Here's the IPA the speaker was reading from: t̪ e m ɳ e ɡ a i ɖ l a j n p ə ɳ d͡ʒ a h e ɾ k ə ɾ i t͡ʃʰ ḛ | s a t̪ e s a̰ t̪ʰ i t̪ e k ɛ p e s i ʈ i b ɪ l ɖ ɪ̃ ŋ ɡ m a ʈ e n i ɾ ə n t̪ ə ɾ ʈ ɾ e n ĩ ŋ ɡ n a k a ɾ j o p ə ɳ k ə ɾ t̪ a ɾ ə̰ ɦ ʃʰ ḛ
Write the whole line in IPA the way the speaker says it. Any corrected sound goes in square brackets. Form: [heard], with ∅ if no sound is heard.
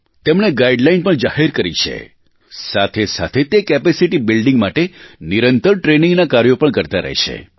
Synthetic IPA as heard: t̪ e m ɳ e ɡ a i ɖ l a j n p ə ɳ d͡ʒ a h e ɾ k ə ɾ i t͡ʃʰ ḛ | s a [t̪ʰ] e s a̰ t̪ʰ [e] t̪ e k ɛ p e s i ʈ i b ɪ l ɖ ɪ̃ ŋ ɡ m a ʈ e n i ɾ ə n t̪ ə ɾ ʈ ɾ e n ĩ ŋ ɡ n a k a ɾ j o p ə ɳ k ə ɾ t̪ a ɾ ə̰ ɦ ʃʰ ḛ